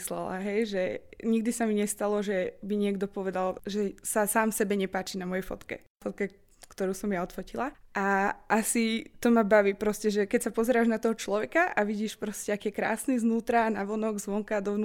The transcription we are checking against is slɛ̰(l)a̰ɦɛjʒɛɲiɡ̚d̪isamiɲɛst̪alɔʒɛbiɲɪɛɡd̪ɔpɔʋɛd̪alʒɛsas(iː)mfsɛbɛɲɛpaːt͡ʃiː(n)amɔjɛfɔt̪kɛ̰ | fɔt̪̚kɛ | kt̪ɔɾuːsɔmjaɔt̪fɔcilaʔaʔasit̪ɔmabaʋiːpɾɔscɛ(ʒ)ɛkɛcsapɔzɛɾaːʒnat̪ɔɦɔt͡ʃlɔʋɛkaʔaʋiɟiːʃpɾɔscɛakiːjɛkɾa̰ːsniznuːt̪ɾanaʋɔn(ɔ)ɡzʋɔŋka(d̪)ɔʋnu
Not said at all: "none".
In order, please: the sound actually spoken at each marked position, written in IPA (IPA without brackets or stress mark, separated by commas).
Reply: l, aː, n, ʒ, ɔ, d̪